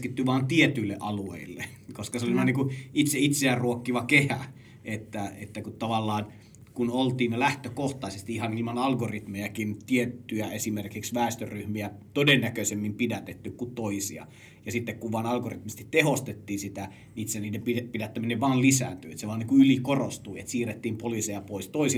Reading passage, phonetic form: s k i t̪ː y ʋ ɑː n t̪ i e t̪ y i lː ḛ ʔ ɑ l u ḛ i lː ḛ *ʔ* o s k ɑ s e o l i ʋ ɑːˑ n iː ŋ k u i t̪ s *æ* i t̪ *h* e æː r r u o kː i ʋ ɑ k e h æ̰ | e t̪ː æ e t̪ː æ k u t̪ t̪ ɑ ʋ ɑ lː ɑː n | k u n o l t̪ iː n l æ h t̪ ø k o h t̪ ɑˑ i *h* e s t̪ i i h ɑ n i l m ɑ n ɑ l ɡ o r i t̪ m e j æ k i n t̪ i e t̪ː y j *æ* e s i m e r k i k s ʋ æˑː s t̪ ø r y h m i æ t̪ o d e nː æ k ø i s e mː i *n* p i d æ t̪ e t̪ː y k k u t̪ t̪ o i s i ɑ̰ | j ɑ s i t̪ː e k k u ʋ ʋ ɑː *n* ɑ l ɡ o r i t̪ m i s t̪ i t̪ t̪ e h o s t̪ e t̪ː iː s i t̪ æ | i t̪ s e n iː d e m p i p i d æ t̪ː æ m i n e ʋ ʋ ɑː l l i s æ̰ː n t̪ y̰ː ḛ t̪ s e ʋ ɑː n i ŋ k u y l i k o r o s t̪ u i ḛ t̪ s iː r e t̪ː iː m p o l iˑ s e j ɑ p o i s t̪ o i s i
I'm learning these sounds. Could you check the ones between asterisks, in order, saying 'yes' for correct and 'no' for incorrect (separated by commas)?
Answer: no, no, no, no, yes, no, yes